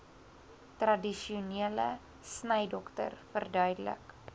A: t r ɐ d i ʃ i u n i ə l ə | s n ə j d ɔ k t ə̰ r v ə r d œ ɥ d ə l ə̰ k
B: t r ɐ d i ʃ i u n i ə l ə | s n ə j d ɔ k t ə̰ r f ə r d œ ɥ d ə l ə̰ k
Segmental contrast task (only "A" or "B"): B